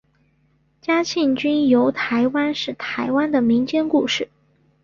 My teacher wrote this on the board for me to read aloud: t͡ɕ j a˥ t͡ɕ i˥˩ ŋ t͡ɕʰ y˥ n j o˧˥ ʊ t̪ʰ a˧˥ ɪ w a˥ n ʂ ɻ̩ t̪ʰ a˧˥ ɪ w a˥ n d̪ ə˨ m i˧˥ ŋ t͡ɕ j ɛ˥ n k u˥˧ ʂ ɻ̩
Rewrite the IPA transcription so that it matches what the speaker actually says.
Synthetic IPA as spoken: t͡ɕ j a˥ t͡ɕʰ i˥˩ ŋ t͡ɕ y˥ n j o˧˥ ʊ t̪ʰ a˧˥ ɪ w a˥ n ʂ ɻ̩ t̪ʰ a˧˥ ɪ w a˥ n d̪ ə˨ m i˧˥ ŋ t͡ɕ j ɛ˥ n k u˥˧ ʂ ɻ̩

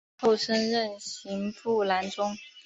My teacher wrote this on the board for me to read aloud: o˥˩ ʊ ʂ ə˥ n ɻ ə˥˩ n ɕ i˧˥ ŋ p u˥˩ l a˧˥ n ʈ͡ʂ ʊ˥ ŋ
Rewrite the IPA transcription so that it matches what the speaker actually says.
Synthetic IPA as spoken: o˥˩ ʊ ʂ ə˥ n ɻ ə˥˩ n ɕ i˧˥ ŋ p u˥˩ l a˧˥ n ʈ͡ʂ ʊ˥ ŋ

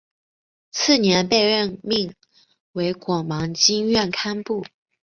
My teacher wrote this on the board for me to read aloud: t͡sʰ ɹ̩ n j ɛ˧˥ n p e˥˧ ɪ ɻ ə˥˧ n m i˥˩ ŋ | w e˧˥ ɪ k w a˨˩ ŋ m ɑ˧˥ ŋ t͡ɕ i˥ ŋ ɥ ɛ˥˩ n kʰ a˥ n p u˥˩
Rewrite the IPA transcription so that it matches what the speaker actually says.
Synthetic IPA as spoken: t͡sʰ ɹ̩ n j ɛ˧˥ n p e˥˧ ɪ ɻ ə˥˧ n m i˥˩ ŋ | w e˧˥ ɪ k w ɑ˨˩ ŋ m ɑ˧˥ ŋ t͡ɕ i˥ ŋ ɥ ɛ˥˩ n kʰ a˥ n p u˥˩

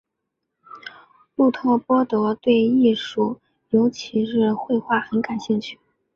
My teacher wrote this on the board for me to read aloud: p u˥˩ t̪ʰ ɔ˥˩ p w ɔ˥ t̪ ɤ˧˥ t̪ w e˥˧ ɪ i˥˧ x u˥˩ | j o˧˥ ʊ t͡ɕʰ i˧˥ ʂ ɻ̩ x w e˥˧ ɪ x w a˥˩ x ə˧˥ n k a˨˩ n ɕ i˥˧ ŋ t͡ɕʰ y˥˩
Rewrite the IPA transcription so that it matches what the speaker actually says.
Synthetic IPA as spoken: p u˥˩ t̪ʰ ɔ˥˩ p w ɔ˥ t̪ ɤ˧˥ t̪ w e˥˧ ɪ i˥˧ ʂ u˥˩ | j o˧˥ ʊ t͡ɕʰ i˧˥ ʂ ɻ̩ x w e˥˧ ɪ x w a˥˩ x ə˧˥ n k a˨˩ n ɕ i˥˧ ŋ t͡ɕʰ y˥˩

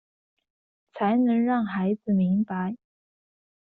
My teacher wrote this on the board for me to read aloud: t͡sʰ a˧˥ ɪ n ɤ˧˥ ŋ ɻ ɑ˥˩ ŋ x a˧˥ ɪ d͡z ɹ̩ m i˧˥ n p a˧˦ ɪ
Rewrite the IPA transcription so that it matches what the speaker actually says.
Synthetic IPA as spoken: t͡sʰ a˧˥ ɪ n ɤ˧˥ ŋ ɻ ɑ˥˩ ŋ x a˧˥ ɪ d͡z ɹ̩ m i˧˥ ŋ p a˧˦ ɪ

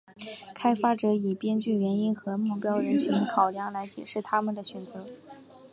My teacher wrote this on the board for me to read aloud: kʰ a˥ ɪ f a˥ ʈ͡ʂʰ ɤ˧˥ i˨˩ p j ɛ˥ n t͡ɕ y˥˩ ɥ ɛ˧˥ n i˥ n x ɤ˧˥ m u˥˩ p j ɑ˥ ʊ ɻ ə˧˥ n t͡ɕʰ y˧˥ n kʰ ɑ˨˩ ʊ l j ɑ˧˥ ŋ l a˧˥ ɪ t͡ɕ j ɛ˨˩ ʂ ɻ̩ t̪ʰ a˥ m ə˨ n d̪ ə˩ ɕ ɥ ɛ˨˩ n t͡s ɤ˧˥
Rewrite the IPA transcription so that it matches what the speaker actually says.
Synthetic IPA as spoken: kʰ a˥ ɪ f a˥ ʈ͡ʂ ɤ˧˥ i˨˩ p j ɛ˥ n t͡ɕ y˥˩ ɥ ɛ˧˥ n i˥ n x ɤ˧˥ m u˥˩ p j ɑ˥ ʊ ɻ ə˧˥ n t͡ɕʰ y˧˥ n kʰ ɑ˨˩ ʊ l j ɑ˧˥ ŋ l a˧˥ ɪ t͡ɕ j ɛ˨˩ ʂ ɻ̩ t̪ʰ a˥ m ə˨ n d̪ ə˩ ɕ ɥ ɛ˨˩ n t͡s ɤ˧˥

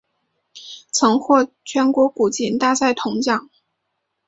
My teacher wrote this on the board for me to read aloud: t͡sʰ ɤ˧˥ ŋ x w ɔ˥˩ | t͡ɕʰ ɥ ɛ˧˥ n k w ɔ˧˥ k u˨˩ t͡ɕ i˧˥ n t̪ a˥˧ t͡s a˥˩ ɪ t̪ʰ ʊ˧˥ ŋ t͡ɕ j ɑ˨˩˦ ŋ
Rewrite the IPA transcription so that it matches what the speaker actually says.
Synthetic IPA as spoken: t͡sʰ ɤ˧˥ ŋ x w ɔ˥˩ | t͡ɕʰ ɥ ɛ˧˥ n k w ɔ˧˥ k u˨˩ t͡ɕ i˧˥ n t̪ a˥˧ t͡s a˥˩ ɪ t̪ʰ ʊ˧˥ ŋ t͡ɕ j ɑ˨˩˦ ŋ

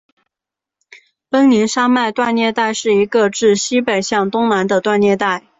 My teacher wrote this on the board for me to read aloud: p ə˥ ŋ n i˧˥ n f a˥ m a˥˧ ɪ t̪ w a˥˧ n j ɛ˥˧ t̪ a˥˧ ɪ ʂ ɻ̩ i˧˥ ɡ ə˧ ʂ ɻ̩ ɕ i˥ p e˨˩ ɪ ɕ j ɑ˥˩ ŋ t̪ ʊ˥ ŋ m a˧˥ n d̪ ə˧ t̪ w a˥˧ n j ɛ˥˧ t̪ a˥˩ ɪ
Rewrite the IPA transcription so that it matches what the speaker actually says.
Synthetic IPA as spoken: p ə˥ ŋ n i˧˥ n ʂ a˥ m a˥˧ ɪ t̪ w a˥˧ n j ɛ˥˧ t̪ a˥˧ ɪ ʂ ɻ̩ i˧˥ ɡ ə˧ ʈ͡ʂ ɻ̩ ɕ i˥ p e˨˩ ɪ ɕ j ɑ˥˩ ŋ t̪ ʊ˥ ŋ n a˧˥ n d̪ ə˧ t̪ w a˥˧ n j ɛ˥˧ t̪ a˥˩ ɪ

